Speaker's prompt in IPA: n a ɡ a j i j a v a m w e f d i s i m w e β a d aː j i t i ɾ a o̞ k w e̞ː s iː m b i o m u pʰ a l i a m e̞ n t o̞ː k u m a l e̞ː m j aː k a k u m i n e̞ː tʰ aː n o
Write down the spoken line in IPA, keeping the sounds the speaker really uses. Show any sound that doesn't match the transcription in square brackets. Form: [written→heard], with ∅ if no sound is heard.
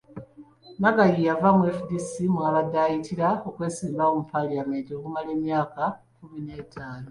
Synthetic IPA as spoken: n a ɡ a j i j a v a m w e f d i s i m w [e→a] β a d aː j i t i ɾ a o̞ k w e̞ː s iː m b [i→a] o m u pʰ a l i a m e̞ n t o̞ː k u m a l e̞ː m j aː k a k u m i n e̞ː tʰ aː n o